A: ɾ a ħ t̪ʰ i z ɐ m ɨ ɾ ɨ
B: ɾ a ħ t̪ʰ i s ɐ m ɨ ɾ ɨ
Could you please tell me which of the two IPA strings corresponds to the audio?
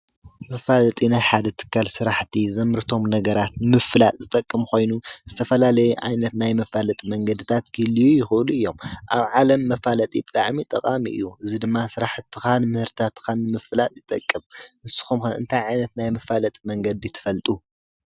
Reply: A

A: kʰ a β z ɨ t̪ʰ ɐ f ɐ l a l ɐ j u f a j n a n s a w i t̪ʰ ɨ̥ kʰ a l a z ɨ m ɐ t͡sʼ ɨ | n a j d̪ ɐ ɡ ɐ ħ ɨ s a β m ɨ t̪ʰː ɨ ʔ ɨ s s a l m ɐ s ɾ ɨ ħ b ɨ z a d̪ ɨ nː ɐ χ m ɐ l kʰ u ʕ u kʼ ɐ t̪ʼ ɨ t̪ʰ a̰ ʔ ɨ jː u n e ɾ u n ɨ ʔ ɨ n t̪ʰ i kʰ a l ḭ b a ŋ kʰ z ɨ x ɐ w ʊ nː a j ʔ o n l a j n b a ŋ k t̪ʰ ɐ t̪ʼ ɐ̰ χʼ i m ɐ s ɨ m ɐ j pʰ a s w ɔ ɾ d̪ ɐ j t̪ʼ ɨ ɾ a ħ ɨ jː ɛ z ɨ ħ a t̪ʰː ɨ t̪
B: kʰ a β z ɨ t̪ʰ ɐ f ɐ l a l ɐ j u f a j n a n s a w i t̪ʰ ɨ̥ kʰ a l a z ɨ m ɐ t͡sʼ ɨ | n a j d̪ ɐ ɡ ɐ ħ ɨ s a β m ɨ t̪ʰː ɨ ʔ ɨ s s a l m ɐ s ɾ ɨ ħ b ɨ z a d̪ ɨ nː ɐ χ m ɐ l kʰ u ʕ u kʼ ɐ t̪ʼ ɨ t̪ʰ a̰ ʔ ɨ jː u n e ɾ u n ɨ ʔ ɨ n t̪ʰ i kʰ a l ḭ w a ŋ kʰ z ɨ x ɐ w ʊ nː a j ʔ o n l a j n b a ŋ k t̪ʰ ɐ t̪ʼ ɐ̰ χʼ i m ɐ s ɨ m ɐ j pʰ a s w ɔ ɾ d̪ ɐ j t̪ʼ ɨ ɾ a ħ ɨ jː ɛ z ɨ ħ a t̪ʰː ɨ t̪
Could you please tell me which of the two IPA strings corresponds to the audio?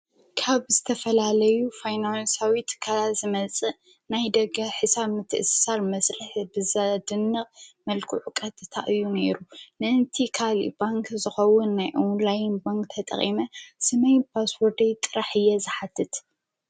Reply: A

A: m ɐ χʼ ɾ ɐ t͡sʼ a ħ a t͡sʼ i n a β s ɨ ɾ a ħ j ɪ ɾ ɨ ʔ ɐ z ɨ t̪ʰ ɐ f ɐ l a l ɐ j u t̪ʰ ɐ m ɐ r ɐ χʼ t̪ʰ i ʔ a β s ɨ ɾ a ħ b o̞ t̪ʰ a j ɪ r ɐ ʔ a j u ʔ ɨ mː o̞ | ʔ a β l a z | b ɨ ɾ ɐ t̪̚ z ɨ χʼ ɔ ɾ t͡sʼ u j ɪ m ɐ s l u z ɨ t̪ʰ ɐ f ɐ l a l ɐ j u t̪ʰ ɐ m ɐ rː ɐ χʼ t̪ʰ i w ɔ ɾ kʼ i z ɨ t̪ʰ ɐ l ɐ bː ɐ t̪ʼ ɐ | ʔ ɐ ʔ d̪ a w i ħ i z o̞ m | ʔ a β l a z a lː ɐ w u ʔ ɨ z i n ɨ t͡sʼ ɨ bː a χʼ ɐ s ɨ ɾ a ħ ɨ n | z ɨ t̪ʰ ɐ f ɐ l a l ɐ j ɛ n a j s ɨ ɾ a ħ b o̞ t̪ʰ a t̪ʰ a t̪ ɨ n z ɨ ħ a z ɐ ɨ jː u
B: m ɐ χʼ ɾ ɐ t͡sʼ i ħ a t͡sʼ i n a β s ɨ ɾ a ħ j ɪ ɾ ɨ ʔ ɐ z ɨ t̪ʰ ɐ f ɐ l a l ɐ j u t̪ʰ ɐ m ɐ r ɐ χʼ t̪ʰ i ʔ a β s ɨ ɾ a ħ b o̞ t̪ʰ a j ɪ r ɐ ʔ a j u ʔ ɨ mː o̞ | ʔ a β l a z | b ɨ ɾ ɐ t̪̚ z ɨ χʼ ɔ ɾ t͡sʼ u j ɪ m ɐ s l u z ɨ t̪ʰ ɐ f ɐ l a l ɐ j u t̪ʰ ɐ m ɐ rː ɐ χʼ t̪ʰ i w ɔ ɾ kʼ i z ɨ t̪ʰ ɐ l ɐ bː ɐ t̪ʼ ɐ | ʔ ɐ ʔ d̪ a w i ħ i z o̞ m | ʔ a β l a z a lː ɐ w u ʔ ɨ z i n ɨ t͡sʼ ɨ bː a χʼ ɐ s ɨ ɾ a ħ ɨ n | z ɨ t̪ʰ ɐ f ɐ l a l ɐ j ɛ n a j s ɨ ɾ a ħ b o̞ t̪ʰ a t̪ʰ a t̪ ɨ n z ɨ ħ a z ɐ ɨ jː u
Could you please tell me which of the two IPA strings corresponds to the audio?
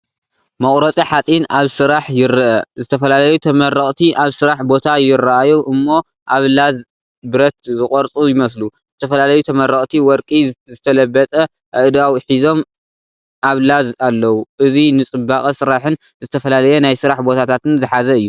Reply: B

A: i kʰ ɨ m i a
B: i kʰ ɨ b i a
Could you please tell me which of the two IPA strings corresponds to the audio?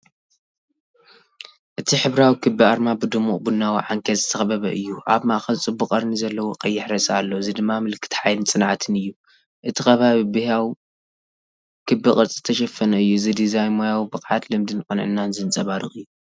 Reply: B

